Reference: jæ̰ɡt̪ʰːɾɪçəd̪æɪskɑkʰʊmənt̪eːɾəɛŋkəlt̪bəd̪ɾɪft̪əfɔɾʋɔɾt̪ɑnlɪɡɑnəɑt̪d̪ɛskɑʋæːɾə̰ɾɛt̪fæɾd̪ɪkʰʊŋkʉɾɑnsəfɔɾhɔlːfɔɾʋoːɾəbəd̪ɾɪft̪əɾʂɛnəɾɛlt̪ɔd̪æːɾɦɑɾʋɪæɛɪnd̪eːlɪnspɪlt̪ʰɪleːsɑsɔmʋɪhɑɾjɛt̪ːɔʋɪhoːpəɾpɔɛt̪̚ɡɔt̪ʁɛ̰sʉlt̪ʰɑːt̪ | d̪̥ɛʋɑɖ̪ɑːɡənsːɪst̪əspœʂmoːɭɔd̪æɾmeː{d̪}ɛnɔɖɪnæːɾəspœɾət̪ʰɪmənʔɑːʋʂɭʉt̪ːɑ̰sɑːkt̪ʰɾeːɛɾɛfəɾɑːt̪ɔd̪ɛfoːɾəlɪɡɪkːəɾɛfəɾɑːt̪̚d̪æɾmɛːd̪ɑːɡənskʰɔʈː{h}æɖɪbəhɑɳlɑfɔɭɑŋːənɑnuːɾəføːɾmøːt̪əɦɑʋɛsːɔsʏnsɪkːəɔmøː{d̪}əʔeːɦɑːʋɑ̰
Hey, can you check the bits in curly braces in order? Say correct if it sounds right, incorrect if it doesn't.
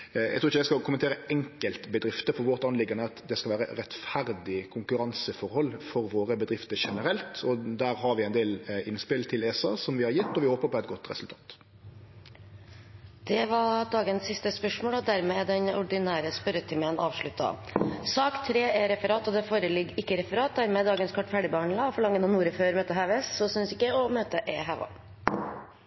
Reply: correct, incorrect, incorrect

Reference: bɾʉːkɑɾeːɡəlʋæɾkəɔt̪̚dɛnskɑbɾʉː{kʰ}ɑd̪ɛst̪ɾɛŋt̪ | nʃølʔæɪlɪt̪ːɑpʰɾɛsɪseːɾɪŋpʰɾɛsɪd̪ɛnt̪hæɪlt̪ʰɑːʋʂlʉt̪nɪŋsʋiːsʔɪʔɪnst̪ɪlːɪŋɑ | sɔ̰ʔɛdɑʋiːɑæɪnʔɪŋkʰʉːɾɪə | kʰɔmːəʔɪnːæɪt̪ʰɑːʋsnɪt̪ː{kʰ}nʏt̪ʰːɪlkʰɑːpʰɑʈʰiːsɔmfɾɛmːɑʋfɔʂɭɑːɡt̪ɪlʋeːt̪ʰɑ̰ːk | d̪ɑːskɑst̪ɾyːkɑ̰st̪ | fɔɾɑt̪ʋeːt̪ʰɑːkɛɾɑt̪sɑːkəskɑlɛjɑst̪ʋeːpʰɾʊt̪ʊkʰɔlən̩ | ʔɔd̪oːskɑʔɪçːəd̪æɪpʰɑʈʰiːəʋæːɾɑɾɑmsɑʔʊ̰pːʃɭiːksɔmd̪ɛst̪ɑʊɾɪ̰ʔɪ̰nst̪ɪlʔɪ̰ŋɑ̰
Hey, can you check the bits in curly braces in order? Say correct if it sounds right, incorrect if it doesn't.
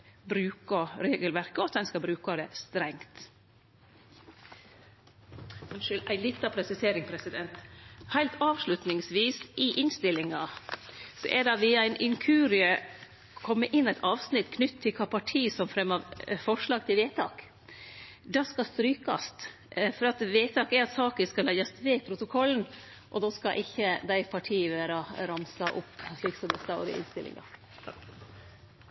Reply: incorrect, correct

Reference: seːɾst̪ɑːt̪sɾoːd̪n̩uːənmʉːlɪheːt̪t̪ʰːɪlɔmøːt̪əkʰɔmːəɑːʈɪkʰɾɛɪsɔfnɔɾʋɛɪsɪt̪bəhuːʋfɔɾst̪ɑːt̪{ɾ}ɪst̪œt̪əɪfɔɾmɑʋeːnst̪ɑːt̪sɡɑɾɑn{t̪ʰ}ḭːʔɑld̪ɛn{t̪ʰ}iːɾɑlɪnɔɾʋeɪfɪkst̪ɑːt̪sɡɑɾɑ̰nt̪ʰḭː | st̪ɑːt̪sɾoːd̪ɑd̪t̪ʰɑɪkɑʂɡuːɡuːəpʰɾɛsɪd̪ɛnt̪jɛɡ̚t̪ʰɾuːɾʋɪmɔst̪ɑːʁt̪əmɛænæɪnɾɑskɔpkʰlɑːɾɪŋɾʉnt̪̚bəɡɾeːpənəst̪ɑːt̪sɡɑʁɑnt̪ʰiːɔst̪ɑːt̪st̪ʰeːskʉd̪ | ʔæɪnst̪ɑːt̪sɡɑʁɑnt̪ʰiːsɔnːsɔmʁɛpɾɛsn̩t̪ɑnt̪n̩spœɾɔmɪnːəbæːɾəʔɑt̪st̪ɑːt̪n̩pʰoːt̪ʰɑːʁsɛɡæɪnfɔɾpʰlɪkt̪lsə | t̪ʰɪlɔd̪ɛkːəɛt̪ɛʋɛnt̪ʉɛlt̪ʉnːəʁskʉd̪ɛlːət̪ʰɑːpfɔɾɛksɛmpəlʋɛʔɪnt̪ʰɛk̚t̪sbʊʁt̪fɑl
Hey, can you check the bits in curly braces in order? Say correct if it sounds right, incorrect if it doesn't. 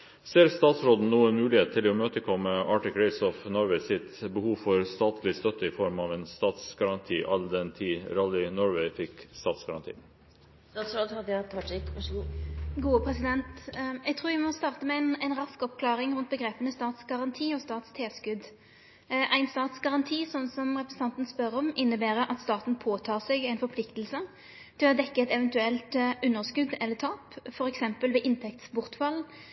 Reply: incorrect, correct, correct

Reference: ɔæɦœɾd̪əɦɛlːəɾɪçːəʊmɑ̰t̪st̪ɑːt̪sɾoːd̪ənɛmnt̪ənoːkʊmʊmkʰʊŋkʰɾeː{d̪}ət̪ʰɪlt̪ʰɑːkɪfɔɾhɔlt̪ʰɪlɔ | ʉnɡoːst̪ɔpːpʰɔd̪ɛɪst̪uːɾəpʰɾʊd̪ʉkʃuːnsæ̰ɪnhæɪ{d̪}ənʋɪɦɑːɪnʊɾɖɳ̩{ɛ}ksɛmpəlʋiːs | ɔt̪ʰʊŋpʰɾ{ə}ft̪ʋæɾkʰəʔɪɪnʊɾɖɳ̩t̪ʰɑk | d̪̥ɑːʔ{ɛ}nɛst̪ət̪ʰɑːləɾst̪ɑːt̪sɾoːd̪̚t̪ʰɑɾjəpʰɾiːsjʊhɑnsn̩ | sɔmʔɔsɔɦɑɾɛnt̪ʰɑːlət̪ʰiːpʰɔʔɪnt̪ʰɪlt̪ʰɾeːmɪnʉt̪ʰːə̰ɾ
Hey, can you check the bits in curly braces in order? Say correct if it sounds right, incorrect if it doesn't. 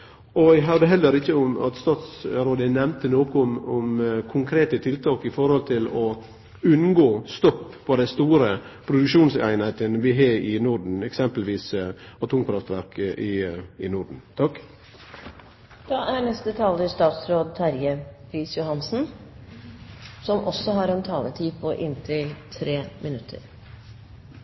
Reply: incorrect, incorrect, correct, incorrect, incorrect

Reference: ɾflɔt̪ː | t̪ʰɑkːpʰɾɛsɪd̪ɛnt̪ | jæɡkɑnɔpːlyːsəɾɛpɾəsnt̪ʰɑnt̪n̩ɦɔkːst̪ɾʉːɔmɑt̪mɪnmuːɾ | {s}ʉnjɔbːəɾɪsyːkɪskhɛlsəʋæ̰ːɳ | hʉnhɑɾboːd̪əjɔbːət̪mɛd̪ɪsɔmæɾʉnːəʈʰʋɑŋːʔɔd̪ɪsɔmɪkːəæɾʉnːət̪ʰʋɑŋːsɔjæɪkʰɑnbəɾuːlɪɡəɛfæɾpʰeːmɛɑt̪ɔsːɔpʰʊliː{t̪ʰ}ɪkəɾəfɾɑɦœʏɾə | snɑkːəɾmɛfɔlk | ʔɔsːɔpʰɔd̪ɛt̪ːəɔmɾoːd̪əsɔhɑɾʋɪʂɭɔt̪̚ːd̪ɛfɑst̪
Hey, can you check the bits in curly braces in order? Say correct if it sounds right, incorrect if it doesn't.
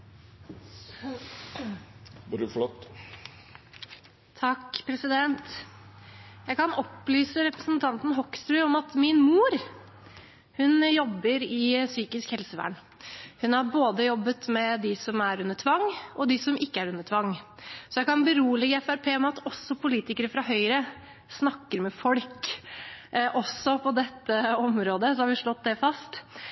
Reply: incorrect, incorrect

